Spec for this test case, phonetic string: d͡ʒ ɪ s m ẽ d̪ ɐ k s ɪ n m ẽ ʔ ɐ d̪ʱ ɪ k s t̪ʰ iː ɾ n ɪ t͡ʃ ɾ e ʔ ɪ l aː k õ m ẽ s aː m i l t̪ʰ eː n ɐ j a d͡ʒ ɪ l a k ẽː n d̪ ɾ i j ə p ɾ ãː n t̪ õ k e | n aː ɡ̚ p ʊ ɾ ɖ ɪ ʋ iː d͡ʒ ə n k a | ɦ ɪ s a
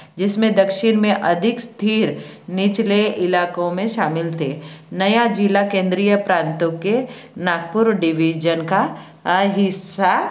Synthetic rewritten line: d͡ʒ ɪ s m ẽ d̪ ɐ k ʃ ɪ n m ẽ ʔ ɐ d̪ʱ ɪ k s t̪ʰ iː ɾ n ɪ t͡ʃ l e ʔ ɪ l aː k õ m ẽ ʃ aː m ɪ l t̪ʰ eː n ɐ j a d͡ʒ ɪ l a k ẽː n d̪ ɾ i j ə p ɾ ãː n t̪ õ k e | n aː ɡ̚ p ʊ ɾ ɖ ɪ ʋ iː d͡ʒ ə n k a | ɦ ɪ s a